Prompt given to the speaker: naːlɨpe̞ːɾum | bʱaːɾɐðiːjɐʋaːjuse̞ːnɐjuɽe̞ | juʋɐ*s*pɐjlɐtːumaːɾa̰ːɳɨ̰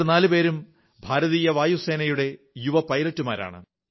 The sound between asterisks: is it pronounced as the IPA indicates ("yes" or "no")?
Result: no